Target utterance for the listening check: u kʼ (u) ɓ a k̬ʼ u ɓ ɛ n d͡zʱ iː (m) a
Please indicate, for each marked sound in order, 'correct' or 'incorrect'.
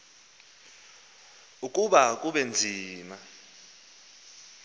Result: correct, correct

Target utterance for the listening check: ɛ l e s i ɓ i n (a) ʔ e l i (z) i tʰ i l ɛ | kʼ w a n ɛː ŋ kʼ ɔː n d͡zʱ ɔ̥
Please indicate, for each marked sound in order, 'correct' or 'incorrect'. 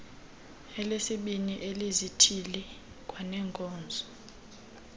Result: incorrect: i, correct

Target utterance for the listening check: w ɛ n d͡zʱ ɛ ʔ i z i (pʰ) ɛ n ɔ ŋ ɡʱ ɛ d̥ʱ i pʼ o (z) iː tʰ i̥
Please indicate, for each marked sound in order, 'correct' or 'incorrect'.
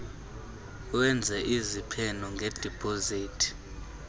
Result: correct, correct

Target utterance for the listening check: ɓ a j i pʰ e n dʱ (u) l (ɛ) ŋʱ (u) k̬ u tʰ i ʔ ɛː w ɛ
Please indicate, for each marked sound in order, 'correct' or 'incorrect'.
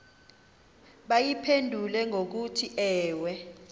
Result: correct, correct, incorrect: o

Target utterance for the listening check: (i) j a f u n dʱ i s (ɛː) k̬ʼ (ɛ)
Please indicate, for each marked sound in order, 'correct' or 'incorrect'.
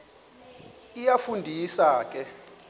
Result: correct, incorrect: aː, correct

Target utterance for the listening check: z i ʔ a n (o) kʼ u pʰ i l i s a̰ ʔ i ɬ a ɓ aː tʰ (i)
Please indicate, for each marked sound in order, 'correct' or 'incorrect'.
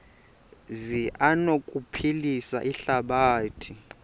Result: correct, correct

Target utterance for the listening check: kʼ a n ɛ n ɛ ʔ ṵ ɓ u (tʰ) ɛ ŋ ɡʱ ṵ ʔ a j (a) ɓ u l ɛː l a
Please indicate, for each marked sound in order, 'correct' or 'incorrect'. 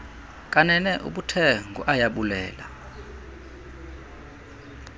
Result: correct, correct

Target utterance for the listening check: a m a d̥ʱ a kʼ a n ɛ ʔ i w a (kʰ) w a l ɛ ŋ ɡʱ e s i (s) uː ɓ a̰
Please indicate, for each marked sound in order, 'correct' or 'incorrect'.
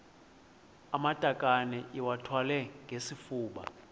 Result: incorrect: tʰ, incorrect: f

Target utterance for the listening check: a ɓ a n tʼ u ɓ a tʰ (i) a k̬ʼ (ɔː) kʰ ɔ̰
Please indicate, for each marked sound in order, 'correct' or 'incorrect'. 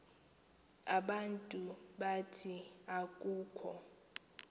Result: correct, incorrect: uː

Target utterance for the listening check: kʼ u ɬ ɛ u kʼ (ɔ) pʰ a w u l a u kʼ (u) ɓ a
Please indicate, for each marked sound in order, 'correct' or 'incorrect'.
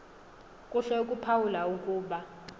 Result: incorrect: u, incorrect: uː

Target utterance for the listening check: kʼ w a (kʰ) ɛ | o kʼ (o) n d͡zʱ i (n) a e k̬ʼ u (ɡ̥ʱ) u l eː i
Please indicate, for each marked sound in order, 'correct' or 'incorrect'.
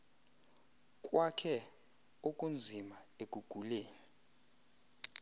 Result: correct, incorrect: u, incorrect: m, correct

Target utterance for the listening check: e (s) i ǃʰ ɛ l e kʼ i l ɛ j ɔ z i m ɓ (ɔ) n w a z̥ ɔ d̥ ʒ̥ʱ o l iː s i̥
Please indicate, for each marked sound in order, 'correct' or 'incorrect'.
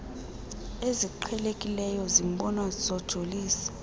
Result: incorrect: z, correct

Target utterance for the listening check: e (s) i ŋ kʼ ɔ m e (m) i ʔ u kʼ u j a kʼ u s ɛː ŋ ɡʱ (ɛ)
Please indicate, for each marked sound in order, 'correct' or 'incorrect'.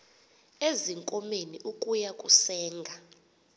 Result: incorrect: z, incorrect: n, incorrect: a

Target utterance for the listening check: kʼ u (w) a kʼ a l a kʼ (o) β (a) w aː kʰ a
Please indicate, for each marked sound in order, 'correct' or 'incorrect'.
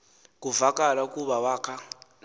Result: incorrect: v, incorrect: u, correct

